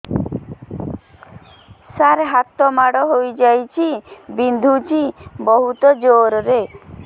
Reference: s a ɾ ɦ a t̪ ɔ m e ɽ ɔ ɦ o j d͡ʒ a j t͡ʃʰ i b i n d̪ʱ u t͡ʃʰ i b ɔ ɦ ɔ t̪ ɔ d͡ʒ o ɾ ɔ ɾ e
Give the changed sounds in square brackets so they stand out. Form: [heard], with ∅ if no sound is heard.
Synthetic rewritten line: s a ɾ ɦ a t̪ ɔ m [a] ɽ ɔ ɦ o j d͡ʒ a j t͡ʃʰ i b i n d̪ʱ u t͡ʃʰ i b ɔ ɦ [u] t̪ ɔ d͡ʒ o ɾ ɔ ɾ e

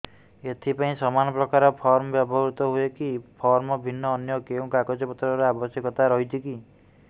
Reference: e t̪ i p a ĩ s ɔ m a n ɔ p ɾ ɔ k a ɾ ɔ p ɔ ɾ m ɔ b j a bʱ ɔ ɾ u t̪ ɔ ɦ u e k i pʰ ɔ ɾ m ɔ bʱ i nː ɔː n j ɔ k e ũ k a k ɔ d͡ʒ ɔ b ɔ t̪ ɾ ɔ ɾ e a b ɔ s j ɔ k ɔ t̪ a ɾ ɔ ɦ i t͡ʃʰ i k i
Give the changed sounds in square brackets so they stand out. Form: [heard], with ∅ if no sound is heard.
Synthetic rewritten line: e [t̪ʰ] i p a ĩ s ɔ m a n ɔ p ɾ ɔ k a ɾ ɔ [pʰ] ɔ ɾ m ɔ b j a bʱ ɔ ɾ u t̪ ɔ ɦ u e k i pʰ ɔ ɾ m ɔ bʱ i nː ɔː n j ɔ k e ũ k a k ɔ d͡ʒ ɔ [p] ɔ t̪ ɾ ɔ ɾ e a b ɔ s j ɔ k ɔ t̪ a ɾ ɔ ɦ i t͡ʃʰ i k i

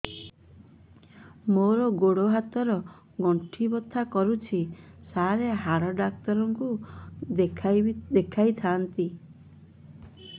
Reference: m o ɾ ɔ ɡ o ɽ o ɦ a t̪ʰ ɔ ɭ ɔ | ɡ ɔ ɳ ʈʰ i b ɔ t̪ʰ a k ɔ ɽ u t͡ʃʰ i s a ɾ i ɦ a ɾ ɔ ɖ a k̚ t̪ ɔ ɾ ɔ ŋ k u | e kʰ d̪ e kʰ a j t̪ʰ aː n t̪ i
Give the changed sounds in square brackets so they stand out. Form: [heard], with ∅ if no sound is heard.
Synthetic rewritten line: m o ɾ ɔ ɡ o ɽ o ɦ a [t̪] ɔ [ɾ] ɔ | ɡ ɔ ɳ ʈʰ i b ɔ t̪ʰ a k ɔ [ɾ] u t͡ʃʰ i s a ɾ [e] ɦ a ɾ ɔ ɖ a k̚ t̪ ɔ ɾ ɔ ŋ k u | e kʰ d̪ e kʰ a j t̪ʰ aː n t̪ i

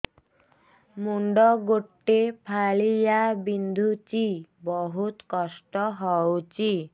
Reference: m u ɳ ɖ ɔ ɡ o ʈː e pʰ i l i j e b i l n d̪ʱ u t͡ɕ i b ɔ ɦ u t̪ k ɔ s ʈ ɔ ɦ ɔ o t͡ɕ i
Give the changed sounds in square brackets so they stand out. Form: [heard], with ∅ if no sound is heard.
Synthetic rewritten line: m u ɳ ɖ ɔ ɡ o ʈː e pʰ [a] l i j [a] b i [∅] n d̪ʱ u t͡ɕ i b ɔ ɦ u t̪ k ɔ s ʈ ɔ ɦ ɔ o t͡ɕ i

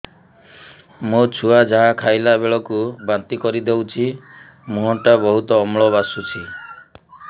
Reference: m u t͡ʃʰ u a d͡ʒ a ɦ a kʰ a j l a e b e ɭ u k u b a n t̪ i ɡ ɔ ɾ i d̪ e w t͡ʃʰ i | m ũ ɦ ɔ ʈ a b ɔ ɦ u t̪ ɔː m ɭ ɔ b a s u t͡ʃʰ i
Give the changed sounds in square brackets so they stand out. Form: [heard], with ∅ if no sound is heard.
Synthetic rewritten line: m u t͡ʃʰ u a d͡ʒ a ɦ a kʰ a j l a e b e ɭ [ɔ] k u b a n t̪ i [k] ɔ ɾ i d̪ e w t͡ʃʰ i | m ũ ɦ ɔ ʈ a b ɔ ɦ u t̪ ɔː m ɭ ɔ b a s u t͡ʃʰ i

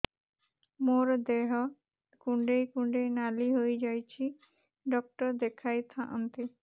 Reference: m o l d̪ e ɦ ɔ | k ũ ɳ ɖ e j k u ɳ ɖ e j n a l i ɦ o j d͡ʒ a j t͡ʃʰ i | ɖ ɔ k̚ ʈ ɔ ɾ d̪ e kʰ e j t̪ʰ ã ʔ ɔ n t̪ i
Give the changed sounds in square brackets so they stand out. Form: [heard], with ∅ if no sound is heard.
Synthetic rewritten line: m o [ɾ] d̪ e ɦ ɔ | k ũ ɳ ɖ e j k u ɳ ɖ e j n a l i ɦ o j d͡ʒ a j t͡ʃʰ i | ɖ ɔ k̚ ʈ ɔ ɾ d̪ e kʰ [a] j t̪ʰ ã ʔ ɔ n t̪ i

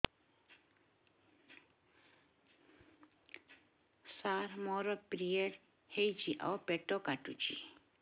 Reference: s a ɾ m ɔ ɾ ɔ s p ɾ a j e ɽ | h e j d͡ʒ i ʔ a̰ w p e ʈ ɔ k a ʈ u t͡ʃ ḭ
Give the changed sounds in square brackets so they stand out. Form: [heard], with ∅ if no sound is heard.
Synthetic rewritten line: s a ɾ m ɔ ɾ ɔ [∅] p ɾ [i] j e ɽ | h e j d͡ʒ i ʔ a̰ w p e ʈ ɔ k a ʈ u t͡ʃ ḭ

